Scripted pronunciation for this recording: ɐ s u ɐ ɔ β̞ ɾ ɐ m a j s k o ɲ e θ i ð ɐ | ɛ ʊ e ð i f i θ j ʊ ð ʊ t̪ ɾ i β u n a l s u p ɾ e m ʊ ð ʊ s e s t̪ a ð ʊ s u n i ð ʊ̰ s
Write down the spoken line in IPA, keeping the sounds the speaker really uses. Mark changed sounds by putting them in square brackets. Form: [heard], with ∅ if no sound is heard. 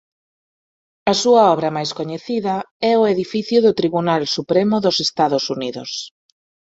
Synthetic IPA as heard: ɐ s u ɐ ɔ β̞ ɾ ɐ m a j s k o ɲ e θ i ð ɐ | ɛ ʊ e ð i f i θ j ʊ ð ʊ t̪ ɾ i β u n a l s u p ɾ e m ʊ ð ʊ s e s t̪ a ð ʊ s u n i ð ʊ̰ s